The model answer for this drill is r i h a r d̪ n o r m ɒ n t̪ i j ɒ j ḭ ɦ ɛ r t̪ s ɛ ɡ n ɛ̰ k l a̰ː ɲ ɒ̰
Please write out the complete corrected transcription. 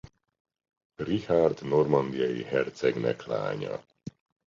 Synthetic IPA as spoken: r i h a r d̪ n o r m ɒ n d̪ i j ɒ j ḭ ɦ ɛ r t̪ s ɛ ɡ n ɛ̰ k l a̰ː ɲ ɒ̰